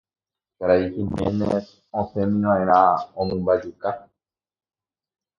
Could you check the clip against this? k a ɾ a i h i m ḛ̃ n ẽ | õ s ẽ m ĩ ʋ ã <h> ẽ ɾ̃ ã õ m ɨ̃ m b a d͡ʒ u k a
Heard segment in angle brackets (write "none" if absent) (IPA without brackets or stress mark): none